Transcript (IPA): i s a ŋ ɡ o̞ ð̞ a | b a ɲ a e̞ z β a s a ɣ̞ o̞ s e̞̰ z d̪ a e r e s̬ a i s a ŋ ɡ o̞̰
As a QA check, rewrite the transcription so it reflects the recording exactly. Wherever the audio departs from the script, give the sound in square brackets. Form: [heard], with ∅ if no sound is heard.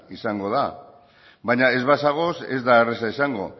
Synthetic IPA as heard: i s a ŋ ɡ o̞ ð̞ a | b a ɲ a e̞ z β a s a ɣ̞ o̞ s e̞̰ z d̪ a e r e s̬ a i s a ŋ ɡ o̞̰